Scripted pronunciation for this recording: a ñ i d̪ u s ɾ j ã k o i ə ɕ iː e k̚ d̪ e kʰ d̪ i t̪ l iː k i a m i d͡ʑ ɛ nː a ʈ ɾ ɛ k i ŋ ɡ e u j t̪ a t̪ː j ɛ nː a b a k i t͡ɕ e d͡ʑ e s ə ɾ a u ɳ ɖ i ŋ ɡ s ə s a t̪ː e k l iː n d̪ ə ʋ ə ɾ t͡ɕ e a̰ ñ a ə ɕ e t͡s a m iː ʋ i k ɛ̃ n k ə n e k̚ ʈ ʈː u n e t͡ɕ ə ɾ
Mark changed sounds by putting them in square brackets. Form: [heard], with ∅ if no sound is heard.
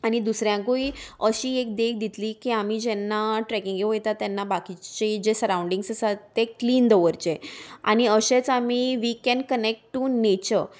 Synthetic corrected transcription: a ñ i d̪ u s ɾ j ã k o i ə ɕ iː e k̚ d̪ e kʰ d̪ i t̪ l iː k i a m i d͡ʑ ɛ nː a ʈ ɾ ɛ k i ŋ ɡ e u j t̪ a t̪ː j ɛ nː a b a k i t͡ɕ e d͡ʑ e s ə ɾ a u ɳ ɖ i ŋ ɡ s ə s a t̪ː e k l iː n d̪ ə ʋ ə ɾ t͡ɕ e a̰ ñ [i] ə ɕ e t͡s a m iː ʋ i k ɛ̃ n k ə n e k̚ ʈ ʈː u n e t͡ɕ ə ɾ